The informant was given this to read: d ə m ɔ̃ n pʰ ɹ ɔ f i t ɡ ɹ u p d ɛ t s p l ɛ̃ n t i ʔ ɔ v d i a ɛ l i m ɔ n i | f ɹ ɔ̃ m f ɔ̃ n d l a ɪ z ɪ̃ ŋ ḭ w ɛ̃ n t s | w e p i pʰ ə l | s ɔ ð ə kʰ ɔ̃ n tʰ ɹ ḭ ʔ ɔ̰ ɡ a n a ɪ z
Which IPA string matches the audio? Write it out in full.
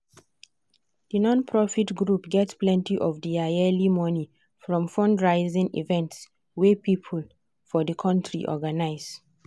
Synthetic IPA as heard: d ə n ɔ̃ n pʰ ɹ ɔ f i t ɡ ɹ u p ɡ ɛ t s p l ɛ̃ n t i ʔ ɔ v d i a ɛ l i m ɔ n i | f ɹ ɔ̃ m f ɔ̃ n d ɹ a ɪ z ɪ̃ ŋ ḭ v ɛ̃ n t s | w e p i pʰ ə l | f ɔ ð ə kʰ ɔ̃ n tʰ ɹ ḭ ʔ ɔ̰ ɡ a n a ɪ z

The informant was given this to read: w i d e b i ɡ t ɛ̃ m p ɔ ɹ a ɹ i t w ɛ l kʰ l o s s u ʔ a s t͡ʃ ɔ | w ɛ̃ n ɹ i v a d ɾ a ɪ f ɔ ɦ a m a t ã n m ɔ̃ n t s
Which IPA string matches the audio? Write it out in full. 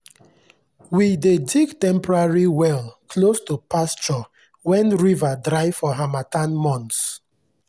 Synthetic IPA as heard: w i d e d i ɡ t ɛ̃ m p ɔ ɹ a ɹ i w ɛ l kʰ l o s t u p a s t͡ʃ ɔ | w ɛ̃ n ɹ i v a d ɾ a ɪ f ɔ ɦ a m a t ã n m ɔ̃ n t s

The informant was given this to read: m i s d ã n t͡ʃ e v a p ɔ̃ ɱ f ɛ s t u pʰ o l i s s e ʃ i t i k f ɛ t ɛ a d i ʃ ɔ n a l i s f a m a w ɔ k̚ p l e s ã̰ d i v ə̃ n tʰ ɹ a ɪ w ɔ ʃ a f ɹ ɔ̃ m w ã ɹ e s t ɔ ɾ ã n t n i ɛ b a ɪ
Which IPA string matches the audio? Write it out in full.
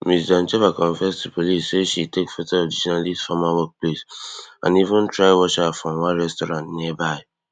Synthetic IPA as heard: m i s d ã n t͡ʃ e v a k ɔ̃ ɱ f ɛ s t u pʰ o l i s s e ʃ i t e k f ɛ t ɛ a d i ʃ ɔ n a l i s f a m a w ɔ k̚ p l e s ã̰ n i v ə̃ n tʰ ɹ a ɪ w ɔ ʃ a f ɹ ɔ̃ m w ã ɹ ɛ s t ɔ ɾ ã n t n i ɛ b a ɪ

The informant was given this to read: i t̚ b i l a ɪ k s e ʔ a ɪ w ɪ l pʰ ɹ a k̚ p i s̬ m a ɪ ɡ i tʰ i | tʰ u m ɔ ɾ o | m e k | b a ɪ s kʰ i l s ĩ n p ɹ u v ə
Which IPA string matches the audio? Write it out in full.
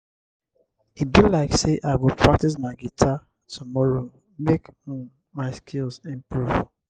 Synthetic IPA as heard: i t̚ b i l a ɪ k s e ʔ a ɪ w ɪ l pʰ ɹ a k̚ t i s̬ m a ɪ ɡ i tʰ a | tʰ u m ɔ ɹ o | m e k | m a ɪ s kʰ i l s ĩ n p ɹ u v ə

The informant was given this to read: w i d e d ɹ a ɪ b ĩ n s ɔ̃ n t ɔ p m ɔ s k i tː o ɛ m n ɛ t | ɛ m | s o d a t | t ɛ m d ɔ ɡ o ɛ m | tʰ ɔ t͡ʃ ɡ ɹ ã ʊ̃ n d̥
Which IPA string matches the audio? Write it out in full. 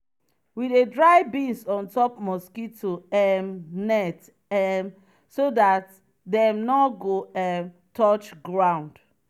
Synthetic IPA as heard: w i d e d ɹ a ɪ b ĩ n s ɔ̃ n t ɔ p m ɔ s k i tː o ɛ m n ɛ t | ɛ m | s o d a t | d ɛ m n ɔ ɡ o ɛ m | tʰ ɔ t͡ʃ ɡ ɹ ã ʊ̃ n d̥

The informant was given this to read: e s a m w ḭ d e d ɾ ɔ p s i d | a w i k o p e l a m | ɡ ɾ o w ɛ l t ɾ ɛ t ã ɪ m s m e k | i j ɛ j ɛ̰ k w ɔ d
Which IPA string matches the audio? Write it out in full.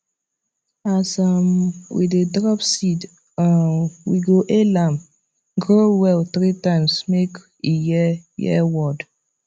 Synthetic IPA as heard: a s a m w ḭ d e d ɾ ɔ p s i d | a w i ɡ o ʔ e l a m | ɡ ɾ o w ɛ l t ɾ i t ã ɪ m s m e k | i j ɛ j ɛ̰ w ɔ d

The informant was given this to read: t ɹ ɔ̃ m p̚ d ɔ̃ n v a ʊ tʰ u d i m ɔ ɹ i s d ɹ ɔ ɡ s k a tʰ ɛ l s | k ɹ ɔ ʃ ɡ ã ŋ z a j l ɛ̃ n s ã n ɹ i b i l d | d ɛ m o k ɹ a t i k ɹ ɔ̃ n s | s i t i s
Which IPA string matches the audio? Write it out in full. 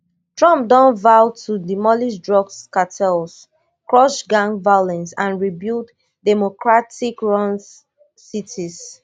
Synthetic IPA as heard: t ɹ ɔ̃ m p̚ d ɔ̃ n v a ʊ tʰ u d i m ɔ l i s d ɹ ɔ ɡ s k a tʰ ɛ l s | k ɹ ɔ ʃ ɡ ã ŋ v a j l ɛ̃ n s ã n ɹ i b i l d | d ɛ m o k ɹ a t i k ɹ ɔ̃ n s | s i t i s

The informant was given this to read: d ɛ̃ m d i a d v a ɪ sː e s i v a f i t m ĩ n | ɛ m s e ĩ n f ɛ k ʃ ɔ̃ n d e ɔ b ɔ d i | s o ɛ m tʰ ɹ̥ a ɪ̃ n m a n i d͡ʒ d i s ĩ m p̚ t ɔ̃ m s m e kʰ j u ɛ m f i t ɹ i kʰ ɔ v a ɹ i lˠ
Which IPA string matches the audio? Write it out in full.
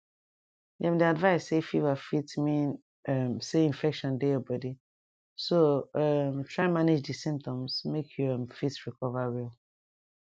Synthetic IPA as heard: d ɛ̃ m d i a d v a ɪ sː e f i v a f i t m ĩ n | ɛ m s e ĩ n f ɛ k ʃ ɔ̃ n d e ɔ b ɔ d i | s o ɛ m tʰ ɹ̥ a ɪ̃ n m a n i d͡ʒ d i s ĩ m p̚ t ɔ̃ m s m e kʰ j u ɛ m f i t ɹ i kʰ ɔ v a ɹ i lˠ

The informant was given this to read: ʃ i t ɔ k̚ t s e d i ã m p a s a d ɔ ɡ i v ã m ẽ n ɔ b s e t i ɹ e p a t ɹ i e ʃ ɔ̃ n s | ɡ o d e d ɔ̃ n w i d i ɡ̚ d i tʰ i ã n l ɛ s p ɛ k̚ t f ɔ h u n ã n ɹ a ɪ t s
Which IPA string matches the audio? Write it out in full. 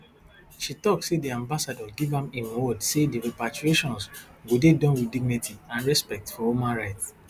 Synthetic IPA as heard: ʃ i t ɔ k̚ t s e d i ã m b a s a d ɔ ɡ i v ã m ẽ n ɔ d s e d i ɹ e p a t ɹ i e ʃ ɔ̃ n s | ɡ o d e d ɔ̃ n w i d i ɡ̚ n i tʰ i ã n ɹ ɛ s p ɛ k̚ t f ɔ h u m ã n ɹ a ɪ t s

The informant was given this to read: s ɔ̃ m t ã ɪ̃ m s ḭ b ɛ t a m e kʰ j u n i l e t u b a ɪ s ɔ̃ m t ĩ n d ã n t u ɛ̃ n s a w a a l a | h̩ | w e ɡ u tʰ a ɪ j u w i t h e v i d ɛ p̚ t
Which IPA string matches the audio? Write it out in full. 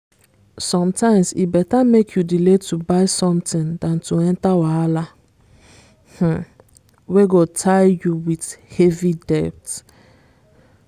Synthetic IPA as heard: s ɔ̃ m t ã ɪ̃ m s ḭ b ɛ t a m e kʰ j u d i l e t u b a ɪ s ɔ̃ m t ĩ n d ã n t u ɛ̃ n t a w a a l a | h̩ | w e ɡ o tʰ a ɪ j u w i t h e v i d ɛ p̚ t

